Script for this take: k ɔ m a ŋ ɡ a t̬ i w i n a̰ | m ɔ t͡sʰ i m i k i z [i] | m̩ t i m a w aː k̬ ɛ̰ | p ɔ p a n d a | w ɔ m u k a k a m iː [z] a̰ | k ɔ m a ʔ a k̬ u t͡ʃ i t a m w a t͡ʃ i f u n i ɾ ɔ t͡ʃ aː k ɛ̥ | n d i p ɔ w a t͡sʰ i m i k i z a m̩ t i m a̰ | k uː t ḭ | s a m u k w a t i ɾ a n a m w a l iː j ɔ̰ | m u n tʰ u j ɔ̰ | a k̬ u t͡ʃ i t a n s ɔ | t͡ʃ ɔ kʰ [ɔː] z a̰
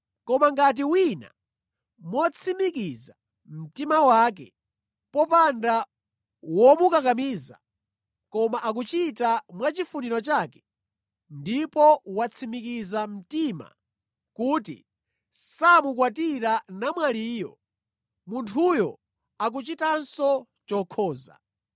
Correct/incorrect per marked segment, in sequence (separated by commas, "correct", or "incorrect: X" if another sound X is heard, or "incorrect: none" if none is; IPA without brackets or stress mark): incorrect: a, correct, correct